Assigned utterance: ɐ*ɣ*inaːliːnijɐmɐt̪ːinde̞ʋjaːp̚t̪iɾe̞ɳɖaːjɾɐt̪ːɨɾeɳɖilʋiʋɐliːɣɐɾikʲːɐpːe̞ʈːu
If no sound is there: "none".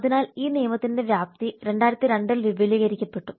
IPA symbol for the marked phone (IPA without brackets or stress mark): ð